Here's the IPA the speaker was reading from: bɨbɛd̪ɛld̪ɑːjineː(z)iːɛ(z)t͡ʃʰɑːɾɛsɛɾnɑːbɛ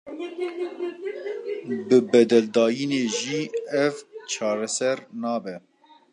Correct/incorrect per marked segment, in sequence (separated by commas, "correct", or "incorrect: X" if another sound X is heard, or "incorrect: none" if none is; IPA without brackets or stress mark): incorrect: ʒ, incorrect: v